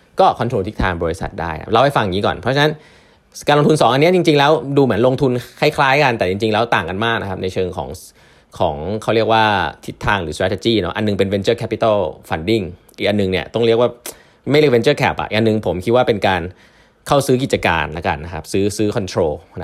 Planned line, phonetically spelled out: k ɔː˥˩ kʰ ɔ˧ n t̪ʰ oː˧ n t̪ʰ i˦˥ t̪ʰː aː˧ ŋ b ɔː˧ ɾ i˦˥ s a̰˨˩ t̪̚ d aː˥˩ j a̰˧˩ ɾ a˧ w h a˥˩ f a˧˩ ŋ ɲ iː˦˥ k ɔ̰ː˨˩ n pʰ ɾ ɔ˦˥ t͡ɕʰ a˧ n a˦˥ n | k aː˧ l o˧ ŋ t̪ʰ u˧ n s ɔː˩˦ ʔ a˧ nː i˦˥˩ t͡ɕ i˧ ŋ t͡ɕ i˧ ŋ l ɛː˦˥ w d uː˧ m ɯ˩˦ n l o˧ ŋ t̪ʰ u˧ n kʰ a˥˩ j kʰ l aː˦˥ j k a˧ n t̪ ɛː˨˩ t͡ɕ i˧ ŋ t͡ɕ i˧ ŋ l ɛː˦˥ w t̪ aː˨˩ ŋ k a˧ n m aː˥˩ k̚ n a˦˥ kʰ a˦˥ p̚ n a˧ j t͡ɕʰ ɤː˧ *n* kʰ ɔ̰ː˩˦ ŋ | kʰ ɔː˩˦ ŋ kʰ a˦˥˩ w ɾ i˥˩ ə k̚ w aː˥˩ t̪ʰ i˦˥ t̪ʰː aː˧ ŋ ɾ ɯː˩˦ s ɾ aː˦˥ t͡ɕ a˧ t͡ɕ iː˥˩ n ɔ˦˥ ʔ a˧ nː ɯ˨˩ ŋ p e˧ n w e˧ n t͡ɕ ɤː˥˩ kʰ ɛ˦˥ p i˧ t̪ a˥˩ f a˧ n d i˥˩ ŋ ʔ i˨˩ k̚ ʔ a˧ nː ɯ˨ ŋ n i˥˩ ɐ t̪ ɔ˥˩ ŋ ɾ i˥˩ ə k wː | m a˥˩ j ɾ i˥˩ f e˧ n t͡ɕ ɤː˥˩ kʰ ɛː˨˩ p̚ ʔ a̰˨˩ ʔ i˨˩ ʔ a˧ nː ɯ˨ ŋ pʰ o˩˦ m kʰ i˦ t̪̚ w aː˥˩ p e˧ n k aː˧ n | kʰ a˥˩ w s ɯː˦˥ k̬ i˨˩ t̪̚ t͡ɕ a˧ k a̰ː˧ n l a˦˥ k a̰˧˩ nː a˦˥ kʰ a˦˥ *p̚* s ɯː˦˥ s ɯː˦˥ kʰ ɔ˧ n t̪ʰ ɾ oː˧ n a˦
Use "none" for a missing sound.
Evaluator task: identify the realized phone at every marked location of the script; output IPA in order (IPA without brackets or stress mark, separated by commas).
ŋ, p̚